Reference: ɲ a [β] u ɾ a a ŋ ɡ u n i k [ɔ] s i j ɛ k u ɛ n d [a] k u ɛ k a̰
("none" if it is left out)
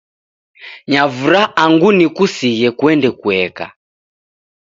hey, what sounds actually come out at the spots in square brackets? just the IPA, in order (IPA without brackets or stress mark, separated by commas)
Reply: v, u, ɛ